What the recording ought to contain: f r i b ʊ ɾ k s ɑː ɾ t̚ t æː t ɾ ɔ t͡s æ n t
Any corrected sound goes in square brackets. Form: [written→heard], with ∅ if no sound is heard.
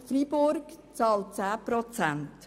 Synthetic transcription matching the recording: f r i b ʊ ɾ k [s→t͡s] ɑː [ɾ→l] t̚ [t→t͡s] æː [t→p] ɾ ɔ t͡s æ n t